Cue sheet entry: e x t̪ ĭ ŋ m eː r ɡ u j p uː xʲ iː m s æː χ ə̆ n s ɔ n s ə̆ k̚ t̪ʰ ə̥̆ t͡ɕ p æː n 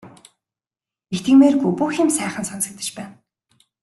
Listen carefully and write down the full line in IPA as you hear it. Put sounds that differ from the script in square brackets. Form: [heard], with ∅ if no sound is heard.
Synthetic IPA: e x t̪ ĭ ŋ m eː r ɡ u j p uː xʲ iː m s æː χ ə̆ n s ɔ n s ə̆ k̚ [t̪] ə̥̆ t͡ɕ p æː n